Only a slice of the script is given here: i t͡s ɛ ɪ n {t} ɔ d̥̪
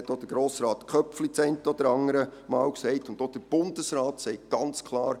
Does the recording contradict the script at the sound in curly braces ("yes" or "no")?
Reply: no